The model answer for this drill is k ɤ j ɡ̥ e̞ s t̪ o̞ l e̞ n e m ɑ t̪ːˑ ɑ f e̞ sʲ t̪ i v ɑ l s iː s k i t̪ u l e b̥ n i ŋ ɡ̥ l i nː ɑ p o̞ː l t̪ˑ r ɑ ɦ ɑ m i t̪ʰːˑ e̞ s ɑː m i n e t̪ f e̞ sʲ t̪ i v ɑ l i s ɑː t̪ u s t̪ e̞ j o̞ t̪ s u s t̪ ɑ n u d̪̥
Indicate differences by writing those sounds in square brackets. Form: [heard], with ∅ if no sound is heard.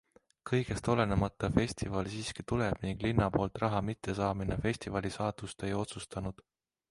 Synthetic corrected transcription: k ɤ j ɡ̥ e̞ s t̪ o̞ l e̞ n e m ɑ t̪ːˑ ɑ f e̞ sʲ t̪ i v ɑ l s iː s k i t̪ u l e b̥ n i ŋ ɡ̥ l i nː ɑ p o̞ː l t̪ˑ r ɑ ɦ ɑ m i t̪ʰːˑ e̞ s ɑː m i n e [∅] f e̞ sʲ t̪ i v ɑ l i s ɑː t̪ u s t̪ e̞ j o̞ t̪ s u s t̪ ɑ n u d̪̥

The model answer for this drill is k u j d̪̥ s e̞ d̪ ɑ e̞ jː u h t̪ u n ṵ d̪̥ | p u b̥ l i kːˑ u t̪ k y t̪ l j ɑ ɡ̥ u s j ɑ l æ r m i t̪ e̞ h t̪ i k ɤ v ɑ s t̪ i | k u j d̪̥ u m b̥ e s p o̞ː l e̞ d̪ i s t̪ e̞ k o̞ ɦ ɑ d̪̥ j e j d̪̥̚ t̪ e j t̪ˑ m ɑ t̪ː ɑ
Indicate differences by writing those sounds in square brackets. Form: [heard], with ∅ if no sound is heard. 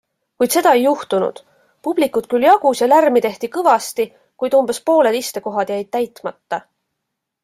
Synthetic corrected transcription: k u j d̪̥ s e̞ d̪ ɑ e̞ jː u h t̪ u n ṵ d̪̥ | p u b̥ l i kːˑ u t̪ k y [∅] l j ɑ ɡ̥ u s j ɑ l æ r m i t̪ e̞ h t̪ i k ɤ v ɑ s t̪ i | k u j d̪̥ u m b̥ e s p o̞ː l e̞ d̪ i s t̪ e̞ k o̞ ɦ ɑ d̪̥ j [æ] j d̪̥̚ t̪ [æ] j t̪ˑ m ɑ t̪ː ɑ

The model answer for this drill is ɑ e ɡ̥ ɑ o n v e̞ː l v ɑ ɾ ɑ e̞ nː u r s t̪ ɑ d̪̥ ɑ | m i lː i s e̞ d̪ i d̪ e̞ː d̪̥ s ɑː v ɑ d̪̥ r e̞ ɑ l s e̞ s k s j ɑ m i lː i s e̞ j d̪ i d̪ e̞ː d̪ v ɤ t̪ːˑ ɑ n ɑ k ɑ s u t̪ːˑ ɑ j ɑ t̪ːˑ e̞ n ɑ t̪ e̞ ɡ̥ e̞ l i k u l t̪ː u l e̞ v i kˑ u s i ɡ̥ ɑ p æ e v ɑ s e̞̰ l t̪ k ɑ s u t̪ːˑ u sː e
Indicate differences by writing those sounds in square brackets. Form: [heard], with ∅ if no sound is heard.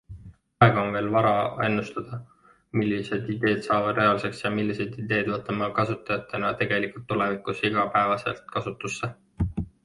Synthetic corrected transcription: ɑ e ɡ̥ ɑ o n v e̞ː l v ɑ ɾ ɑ e̞ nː u [∅] s t̪ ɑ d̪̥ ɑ | m i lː i s e̞ d̪ i d̪ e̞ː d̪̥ s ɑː v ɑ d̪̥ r e̞ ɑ l s e̞ [∅] k s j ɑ m i lː i s e̞ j d̪ i d̪ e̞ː d̪ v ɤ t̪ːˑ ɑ [m] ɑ k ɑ s u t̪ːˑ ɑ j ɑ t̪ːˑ e̞ n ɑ t̪ e̞ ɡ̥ e̞ l i k u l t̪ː u l e̞ v i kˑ u s i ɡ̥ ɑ p æ e v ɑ s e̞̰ l t̪ k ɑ s u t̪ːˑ u sː e

